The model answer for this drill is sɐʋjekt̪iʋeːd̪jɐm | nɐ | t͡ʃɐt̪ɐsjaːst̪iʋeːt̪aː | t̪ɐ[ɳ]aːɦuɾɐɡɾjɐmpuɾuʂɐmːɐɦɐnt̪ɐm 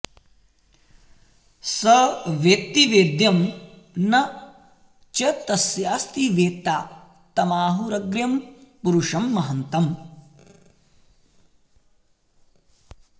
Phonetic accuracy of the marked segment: incorrect: m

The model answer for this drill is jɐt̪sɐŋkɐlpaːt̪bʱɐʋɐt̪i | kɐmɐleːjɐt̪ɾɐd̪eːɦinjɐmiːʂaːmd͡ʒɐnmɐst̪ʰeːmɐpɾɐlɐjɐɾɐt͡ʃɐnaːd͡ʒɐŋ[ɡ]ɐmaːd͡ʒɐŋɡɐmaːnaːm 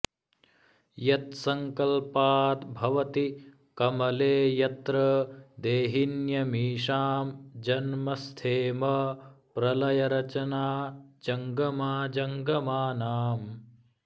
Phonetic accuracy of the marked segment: correct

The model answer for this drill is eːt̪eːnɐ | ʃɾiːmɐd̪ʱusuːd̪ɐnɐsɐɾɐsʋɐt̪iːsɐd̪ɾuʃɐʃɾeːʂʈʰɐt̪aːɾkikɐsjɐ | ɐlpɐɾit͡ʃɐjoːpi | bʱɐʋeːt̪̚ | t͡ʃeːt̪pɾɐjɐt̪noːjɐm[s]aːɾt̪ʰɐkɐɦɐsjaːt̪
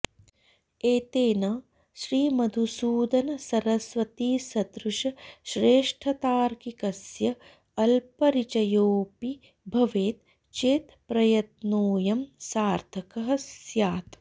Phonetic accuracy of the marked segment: correct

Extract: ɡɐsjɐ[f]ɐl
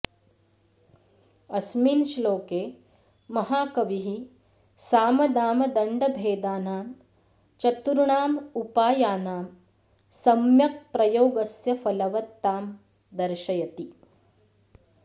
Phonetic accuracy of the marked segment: correct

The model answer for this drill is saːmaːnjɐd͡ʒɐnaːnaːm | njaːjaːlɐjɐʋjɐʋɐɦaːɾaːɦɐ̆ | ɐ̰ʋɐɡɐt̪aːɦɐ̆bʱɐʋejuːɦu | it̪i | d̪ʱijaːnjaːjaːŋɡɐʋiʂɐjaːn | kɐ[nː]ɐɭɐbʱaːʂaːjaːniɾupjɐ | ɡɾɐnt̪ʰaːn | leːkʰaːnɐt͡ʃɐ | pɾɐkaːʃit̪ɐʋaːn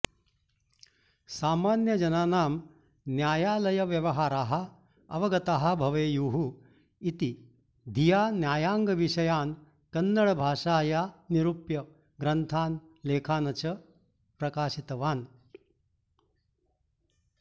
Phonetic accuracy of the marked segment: correct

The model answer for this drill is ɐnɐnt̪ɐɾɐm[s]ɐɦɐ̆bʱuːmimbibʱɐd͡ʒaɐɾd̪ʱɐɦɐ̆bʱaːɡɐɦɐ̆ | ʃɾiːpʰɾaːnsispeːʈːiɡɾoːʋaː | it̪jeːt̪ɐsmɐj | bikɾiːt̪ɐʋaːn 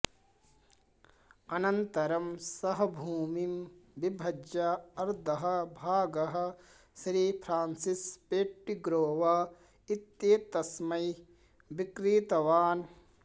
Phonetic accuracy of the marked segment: correct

